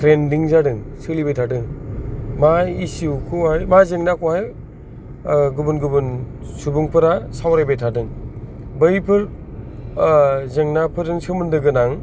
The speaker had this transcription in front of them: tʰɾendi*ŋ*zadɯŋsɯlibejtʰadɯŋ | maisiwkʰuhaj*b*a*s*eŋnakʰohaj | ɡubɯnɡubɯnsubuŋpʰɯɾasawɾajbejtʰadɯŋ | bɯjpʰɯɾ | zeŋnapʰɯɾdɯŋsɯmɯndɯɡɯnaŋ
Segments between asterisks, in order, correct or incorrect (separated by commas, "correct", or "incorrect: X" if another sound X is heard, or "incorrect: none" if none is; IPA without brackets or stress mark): correct, incorrect: m, incorrect: z